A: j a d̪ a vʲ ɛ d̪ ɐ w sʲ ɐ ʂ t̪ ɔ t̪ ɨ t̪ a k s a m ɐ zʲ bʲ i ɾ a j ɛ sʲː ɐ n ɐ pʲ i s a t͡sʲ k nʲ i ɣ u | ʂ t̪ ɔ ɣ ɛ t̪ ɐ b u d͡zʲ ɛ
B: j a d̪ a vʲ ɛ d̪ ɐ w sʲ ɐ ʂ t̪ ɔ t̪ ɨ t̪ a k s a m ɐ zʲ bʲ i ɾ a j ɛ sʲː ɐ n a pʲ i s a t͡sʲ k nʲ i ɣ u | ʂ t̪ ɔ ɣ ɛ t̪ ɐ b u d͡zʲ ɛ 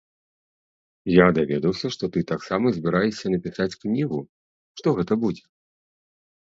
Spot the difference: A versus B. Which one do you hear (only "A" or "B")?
A